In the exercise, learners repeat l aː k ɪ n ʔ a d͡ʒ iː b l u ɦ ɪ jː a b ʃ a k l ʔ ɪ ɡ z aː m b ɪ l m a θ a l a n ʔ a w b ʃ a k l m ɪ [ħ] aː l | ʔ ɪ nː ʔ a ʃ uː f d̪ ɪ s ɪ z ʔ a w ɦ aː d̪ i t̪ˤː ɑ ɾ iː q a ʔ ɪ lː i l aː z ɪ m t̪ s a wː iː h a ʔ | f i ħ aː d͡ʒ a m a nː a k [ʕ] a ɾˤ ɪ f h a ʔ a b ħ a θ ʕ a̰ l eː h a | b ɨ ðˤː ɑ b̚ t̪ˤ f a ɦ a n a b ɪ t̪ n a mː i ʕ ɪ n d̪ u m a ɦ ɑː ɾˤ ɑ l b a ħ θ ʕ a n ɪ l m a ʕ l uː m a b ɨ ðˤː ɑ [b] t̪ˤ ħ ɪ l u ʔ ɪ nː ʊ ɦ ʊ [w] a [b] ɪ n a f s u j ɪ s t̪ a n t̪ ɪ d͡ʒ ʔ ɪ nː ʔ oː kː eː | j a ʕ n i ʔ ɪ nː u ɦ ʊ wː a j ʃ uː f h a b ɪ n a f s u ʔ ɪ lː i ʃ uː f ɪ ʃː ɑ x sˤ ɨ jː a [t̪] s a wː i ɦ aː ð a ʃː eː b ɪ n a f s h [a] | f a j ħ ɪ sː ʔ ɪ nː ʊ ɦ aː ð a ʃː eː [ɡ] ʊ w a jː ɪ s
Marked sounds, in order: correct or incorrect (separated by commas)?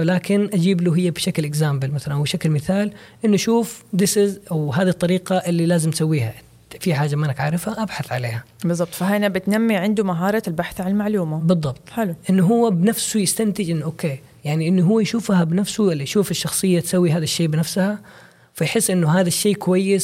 incorrect, correct, correct, incorrect, correct, correct, correct, incorrect